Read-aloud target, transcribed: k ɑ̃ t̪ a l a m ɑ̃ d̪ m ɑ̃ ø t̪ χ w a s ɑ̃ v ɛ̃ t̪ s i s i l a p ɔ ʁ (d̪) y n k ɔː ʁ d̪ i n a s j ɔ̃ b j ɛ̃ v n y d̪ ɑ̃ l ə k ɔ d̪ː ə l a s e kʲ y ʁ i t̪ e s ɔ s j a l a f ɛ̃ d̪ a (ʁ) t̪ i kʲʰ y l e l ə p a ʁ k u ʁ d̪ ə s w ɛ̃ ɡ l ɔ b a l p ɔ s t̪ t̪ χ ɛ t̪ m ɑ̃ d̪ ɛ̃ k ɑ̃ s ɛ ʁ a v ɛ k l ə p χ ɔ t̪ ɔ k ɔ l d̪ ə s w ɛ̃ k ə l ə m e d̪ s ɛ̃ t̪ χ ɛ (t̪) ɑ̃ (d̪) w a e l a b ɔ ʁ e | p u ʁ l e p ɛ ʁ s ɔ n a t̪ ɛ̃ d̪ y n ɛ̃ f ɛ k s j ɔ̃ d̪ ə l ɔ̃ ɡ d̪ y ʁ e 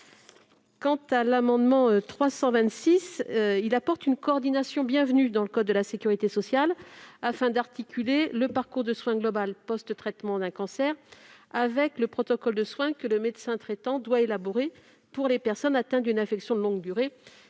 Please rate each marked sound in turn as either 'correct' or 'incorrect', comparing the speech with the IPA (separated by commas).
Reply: incorrect, correct, correct, correct